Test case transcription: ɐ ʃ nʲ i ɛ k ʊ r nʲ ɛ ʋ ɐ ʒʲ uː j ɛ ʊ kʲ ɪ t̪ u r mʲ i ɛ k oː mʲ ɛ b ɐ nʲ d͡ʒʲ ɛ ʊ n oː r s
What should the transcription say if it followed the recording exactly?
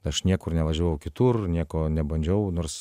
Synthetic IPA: ɐ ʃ nʲ i ɛ k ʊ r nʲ ɛ ʋ ɐ ʒʲ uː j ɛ ʊ kʲ ɪ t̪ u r nʲ i ɛ k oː nʲ ɛ b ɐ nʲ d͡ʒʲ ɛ ʊ n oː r s